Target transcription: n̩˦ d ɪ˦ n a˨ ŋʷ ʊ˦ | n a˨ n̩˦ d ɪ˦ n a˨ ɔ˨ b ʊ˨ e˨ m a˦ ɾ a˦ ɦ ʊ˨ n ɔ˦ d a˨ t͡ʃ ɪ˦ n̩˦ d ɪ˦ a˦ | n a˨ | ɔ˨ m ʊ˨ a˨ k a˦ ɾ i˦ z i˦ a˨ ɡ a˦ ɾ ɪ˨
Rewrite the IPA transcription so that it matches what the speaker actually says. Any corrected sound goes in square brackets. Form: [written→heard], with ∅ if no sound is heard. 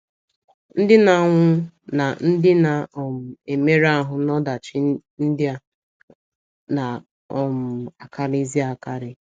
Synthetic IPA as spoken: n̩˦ d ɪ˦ n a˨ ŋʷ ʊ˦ | n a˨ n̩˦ d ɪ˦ n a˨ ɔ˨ [b→m] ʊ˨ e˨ m [a˦→e˦] ɾ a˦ ɦ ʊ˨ n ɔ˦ d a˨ t͡ʃ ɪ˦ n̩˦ d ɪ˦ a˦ | n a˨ | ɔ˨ m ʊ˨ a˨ k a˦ ɾ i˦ z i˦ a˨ [ɡ→k] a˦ ɾ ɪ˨